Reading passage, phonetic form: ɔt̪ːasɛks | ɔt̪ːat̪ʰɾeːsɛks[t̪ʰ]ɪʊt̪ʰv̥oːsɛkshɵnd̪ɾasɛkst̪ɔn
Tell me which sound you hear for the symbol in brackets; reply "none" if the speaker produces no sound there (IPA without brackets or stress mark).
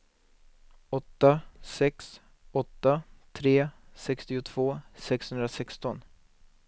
t̪